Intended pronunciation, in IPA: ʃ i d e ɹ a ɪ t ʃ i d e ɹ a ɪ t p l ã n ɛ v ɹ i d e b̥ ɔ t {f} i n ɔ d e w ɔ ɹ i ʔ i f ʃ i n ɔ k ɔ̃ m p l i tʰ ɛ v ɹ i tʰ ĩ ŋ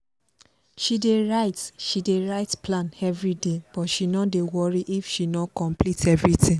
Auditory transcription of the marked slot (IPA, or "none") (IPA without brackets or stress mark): ʃ